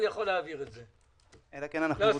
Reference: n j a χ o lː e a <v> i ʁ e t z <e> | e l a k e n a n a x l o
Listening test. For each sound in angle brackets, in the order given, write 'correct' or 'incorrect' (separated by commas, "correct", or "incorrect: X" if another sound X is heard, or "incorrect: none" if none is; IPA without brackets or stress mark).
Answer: correct, correct